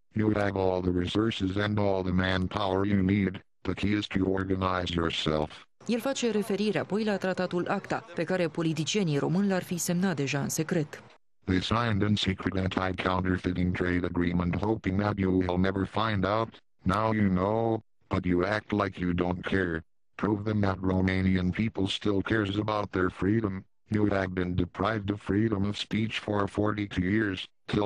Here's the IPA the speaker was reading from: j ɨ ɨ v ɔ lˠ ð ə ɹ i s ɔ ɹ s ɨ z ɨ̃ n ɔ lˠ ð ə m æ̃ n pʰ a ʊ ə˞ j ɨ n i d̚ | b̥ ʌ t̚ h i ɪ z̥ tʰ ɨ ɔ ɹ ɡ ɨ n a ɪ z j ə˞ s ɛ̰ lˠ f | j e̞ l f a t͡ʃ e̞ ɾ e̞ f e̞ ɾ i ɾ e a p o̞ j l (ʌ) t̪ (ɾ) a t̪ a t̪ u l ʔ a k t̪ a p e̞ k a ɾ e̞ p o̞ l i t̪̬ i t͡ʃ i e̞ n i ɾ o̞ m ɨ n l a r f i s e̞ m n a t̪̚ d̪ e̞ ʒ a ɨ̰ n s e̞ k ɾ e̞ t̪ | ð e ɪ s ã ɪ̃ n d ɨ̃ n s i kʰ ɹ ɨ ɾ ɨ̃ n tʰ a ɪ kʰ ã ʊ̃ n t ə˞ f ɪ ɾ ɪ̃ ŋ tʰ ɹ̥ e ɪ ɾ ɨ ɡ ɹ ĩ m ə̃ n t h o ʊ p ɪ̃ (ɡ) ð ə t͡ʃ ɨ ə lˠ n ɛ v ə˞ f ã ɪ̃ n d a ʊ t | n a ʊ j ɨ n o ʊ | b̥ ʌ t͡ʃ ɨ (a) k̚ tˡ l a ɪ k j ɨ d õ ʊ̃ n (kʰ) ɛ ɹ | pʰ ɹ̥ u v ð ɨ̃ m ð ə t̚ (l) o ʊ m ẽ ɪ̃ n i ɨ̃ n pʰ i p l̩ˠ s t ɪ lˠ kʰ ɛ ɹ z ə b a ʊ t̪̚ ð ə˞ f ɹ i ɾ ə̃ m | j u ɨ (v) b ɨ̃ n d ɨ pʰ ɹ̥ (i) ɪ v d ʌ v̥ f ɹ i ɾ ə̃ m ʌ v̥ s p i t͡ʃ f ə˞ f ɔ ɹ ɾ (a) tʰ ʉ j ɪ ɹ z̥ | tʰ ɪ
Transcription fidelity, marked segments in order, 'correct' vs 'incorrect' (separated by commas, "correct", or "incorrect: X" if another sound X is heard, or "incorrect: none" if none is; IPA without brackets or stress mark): incorrect: a, correct, incorrect: ŋ, incorrect: æ, correct, incorrect: ɹ, correct, incorrect: a, incorrect: i